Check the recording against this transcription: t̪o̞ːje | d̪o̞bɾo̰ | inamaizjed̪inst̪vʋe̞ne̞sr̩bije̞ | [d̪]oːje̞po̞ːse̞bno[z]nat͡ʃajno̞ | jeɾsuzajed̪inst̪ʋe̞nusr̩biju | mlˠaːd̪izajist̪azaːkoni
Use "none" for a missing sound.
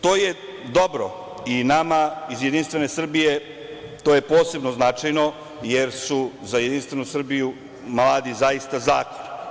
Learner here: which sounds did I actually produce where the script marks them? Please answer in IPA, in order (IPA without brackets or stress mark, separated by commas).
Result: t̪, z